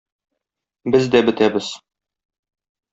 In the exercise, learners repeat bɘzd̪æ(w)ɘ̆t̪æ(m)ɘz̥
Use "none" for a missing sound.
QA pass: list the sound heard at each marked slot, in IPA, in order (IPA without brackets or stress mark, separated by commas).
b, b